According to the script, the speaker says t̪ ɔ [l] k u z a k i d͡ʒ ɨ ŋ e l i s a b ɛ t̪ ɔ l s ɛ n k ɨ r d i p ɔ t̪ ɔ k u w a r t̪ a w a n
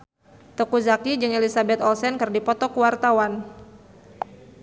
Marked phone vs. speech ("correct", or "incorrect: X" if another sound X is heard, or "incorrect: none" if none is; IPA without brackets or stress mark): incorrect: none